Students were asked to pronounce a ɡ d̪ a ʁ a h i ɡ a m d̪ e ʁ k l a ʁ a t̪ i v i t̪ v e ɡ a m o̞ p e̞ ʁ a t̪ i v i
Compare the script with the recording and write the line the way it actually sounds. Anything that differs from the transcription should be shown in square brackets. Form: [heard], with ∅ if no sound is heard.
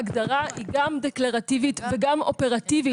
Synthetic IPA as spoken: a ɡ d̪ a ʁ a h i ɡ a m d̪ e [∅] k l a ʁ a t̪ i v i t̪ v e ɡ a m o̞ p e̞ ʁ a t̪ i v i